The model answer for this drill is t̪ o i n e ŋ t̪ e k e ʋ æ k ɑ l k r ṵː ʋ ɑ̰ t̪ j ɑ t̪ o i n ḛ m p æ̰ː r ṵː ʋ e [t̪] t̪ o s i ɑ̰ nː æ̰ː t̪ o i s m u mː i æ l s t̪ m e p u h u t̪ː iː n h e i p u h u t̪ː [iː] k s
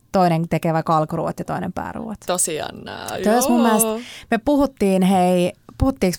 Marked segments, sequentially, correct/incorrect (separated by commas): correct, correct